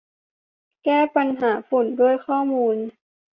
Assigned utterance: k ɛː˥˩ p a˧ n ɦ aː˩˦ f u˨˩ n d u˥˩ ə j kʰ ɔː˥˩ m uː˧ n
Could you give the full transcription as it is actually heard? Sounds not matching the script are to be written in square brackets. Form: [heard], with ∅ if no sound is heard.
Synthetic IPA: k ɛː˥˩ p a˧ n ɦ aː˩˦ f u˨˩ n d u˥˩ ə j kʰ ɔː˥˩ m uː˧ n